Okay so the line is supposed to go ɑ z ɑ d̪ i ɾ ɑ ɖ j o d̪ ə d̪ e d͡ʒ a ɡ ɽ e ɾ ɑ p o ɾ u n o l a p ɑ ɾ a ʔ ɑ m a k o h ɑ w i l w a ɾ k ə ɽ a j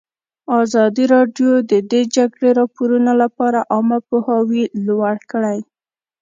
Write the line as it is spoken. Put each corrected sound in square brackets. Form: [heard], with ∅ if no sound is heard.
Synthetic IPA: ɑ z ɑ d̪ i ɾ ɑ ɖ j o d̪ ə d̪ e d͡ʒ a ɡ ɽ e ɾ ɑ p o ɾ u n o l a p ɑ ɾ a ʔ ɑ m a [p] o h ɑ w i l w a [ɽ] k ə ɽ a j